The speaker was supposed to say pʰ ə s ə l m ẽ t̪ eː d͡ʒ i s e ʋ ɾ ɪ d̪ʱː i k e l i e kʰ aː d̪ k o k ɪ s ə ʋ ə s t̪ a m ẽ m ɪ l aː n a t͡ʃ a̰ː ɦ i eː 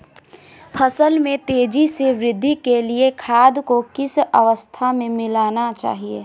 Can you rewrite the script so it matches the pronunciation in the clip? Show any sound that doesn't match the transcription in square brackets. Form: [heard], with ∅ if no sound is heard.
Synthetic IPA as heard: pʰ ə s ə l m ẽ t̪ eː d͡ʒ i s e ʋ ɾ ɪ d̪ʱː i k e l i e kʰ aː d̪ k o k ɪ s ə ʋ ə s [t̪ʰ] a m ẽ m ɪ l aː n a t͡ʃ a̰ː ɦ i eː